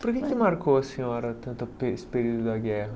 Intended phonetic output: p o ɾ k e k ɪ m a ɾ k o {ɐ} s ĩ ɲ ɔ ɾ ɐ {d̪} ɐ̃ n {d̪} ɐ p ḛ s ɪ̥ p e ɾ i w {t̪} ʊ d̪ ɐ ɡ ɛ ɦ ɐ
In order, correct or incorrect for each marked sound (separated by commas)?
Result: correct, incorrect, incorrect, incorrect